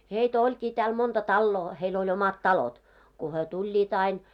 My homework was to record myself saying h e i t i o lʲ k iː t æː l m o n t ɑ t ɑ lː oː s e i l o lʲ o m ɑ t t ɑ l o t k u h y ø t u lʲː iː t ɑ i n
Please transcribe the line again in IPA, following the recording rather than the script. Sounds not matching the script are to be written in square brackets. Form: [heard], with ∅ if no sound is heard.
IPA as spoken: h e i t [æ] o lʲ k iː t æː l m o n t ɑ t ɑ lː oː [h] e i l o lʲ o m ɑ t t ɑ l o t k u h y ø t u lʲː iː t ɑ i n